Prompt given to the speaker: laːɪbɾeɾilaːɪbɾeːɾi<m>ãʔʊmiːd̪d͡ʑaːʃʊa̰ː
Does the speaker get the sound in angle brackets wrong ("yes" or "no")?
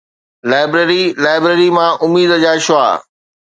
no